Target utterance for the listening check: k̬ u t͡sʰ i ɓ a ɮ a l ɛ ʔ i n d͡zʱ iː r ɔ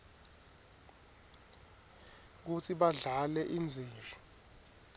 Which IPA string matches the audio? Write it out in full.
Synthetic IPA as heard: k̬ u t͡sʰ i ɓ a ɮ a l ɛ ʔ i n d͡zʱ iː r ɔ